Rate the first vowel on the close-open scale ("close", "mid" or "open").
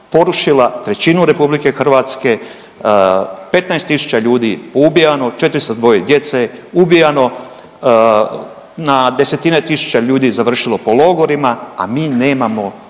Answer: mid